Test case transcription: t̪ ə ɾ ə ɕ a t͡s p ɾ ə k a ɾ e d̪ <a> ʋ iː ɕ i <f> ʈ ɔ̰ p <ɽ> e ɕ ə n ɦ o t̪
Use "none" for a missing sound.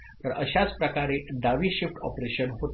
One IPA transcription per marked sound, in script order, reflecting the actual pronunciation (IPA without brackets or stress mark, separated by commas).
a, f, ɾ